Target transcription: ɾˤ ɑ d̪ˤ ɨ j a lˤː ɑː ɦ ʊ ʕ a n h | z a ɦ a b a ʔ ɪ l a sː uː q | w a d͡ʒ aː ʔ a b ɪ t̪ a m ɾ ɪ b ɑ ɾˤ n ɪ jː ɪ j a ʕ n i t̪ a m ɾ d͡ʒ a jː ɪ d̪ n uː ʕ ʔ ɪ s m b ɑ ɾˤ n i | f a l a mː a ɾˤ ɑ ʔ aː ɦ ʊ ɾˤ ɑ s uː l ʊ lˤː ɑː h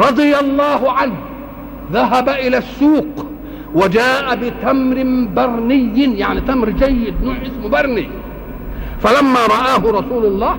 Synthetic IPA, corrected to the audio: ɾˤ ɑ d̪ˤ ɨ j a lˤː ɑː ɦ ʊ ʕ a n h | ð a ɦ a b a ʔ ɪ l a sː uː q | w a d͡ʒ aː ʔ a b ɪ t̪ a m ɾ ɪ b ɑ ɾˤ n ɪ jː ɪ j a ʕ n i t̪ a m ɾ d͡ʒ a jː ɪ d̪ n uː ʕ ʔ ɪ s m b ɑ ɾˤ n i | f a l a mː a ɾˤ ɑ ʔ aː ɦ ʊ ɾˤ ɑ s uː l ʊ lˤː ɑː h